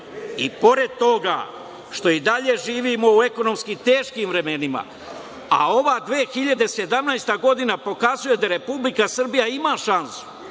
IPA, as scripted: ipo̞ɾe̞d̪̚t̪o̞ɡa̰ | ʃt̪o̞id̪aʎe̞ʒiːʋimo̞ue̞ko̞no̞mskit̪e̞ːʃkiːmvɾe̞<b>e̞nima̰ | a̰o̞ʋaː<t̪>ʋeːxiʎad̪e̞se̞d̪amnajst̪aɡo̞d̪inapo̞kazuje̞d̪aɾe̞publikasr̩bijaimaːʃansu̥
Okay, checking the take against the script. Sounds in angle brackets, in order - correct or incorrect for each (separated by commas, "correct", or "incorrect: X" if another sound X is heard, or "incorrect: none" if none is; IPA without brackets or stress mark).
incorrect: m, incorrect: d̪